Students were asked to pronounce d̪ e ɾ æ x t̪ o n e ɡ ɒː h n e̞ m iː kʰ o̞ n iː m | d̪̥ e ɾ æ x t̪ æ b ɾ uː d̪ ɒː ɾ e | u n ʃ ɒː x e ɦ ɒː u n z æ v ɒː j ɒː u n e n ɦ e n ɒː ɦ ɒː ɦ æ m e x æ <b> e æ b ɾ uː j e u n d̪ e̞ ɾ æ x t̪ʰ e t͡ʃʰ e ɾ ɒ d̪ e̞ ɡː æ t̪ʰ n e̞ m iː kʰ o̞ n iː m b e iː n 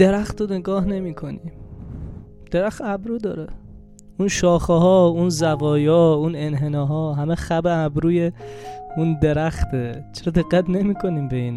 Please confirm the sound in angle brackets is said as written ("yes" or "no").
yes